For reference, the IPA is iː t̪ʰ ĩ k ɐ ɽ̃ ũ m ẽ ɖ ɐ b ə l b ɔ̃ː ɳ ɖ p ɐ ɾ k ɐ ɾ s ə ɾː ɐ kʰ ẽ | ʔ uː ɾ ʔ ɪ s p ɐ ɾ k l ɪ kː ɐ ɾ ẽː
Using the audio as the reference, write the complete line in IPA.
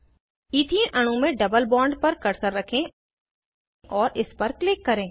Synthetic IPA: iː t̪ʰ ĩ ʔ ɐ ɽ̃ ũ m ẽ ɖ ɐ b ə l b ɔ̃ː ɳ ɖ p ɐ ɾ k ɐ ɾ s ə ɾː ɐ kʰ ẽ | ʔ ɔː ɾ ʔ ɪ s p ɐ ɾ k l ɪ kː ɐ ɾ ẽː